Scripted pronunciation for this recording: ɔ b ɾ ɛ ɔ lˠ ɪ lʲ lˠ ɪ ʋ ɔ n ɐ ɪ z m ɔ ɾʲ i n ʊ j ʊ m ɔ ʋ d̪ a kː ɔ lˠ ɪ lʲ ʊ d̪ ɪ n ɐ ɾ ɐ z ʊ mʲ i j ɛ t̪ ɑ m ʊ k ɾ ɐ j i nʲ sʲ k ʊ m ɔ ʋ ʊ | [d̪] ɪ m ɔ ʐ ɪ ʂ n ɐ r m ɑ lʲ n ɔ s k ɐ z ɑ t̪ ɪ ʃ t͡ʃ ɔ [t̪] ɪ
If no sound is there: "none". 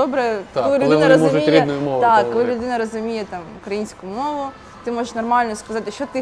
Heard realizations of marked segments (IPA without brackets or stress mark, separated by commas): t̪, t̪